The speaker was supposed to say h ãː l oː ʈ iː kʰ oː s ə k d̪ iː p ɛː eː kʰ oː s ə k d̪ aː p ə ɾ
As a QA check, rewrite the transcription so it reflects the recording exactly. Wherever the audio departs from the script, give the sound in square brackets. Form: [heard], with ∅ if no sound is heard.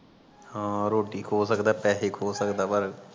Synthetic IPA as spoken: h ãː [ɾ] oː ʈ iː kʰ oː s ə k d̪ [aː] p ɛː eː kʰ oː s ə k d̪ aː p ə ɾ